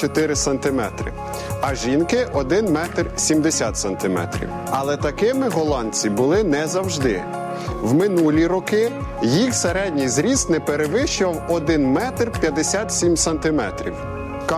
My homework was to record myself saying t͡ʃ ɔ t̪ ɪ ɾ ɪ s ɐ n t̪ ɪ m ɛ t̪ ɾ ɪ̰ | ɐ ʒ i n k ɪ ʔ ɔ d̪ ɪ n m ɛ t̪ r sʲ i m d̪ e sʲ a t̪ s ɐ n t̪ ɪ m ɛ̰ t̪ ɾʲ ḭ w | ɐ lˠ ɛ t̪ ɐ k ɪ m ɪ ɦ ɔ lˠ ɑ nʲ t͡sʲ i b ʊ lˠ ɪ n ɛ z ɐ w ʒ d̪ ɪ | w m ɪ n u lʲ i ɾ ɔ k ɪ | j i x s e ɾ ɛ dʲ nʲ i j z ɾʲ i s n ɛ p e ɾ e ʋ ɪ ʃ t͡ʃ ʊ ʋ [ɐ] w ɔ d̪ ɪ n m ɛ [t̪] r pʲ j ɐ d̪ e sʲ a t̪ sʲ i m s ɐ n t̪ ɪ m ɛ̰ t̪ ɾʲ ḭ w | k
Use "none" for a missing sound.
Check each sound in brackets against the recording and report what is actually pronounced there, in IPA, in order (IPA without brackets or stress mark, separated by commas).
ɐ, t̪